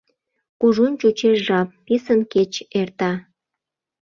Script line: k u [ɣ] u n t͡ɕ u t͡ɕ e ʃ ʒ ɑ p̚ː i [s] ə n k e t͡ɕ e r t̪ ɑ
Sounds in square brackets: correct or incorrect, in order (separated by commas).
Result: incorrect, correct